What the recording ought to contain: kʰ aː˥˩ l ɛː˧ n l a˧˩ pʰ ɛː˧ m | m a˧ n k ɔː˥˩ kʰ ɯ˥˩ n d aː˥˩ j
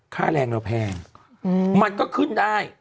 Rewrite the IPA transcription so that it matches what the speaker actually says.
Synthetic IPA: kʰ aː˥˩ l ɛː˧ ŋ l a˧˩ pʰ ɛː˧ ŋ | m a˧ n k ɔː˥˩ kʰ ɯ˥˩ n d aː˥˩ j